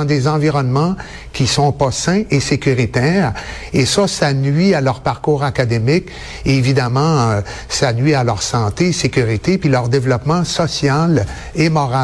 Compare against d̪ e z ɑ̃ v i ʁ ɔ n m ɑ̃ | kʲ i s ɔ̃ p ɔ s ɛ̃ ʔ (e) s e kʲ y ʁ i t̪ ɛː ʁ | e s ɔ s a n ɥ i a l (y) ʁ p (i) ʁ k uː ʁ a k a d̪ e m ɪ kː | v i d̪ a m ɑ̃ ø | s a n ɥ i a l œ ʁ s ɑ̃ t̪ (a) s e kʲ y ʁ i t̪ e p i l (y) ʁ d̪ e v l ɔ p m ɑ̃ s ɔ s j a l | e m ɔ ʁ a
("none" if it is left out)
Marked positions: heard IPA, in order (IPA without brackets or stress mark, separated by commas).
e, œ, a, e, œ